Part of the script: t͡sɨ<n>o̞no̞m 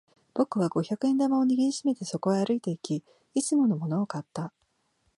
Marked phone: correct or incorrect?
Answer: incorrect